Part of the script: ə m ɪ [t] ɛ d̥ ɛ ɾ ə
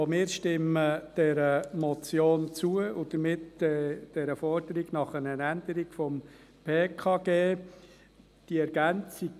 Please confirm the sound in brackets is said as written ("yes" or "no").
yes